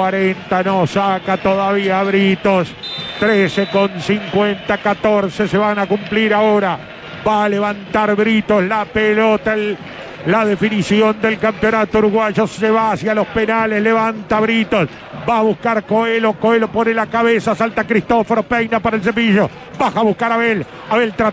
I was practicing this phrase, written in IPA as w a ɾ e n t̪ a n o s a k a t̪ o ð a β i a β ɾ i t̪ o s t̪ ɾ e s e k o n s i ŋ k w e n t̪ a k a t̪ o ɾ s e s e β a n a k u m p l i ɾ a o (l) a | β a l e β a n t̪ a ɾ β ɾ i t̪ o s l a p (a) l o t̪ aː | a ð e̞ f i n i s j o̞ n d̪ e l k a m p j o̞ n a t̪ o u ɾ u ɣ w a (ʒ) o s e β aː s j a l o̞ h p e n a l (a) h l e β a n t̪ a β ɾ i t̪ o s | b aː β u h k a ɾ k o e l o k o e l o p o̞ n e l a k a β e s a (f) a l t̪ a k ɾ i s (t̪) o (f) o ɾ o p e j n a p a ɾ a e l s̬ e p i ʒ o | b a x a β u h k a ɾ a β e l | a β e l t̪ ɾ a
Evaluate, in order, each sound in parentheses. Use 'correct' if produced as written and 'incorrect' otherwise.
incorrect: ɾ, incorrect: e, correct, incorrect: e, incorrect: s, correct, correct

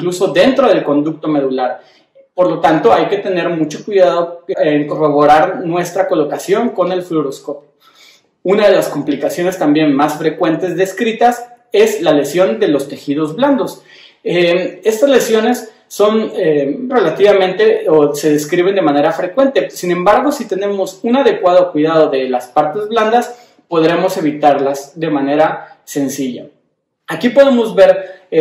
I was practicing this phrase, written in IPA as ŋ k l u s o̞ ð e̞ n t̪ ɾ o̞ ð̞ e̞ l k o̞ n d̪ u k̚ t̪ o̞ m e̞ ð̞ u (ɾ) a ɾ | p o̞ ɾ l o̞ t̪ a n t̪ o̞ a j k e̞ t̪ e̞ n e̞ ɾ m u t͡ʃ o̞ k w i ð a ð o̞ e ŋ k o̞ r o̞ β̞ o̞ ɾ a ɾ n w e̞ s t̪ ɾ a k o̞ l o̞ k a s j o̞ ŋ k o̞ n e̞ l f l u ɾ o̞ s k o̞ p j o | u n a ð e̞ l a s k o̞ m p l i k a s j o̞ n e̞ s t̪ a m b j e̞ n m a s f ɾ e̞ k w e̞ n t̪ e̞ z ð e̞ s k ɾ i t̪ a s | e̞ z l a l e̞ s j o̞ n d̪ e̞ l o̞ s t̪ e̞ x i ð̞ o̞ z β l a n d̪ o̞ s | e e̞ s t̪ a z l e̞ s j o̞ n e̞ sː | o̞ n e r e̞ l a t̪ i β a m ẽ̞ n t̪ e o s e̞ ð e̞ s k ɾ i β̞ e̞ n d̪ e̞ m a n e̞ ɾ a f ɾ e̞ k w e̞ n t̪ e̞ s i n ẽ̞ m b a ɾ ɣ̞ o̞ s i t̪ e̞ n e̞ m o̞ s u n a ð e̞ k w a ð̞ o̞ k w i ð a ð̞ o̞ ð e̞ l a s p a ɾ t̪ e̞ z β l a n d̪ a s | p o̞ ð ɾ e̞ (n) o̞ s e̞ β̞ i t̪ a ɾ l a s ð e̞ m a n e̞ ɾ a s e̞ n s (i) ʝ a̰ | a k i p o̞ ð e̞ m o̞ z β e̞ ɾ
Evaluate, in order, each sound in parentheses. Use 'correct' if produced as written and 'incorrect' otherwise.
incorrect: l, incorrect: m, correct

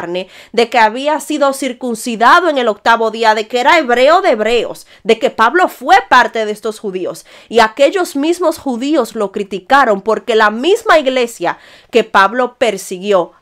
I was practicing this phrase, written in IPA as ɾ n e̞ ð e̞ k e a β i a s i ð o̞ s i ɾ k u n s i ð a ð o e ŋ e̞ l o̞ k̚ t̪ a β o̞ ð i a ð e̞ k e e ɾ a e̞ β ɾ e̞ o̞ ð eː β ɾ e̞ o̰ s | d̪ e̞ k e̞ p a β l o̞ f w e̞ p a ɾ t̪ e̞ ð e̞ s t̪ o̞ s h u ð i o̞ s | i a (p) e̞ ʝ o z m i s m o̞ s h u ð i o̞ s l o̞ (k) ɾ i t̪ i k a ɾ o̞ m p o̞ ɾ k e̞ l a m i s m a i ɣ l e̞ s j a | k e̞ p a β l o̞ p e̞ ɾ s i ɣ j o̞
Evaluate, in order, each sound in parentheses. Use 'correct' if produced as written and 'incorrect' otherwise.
incorrect: k, correct

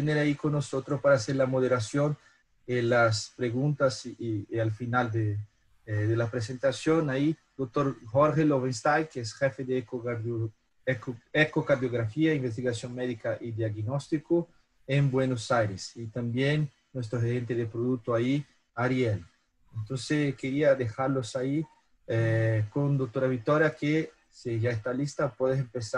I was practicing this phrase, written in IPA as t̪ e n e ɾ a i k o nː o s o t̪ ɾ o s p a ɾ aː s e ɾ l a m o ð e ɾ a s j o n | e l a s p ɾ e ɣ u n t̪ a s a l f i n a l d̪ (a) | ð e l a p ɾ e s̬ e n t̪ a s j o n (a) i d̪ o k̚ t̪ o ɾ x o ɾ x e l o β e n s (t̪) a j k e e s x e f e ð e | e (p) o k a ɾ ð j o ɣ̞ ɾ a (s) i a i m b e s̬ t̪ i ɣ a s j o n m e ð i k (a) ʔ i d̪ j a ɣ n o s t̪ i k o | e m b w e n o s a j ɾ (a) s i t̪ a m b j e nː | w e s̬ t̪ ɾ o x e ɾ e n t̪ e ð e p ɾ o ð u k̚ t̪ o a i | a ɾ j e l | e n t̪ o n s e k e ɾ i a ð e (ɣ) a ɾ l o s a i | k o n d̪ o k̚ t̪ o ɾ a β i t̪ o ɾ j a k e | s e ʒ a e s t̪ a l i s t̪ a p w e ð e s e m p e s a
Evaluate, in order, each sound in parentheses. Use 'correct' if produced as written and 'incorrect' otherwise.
incorrect: e, correct, correct, incorrect: k, incorrect: f, correct, incorrect: e, incorrect: x

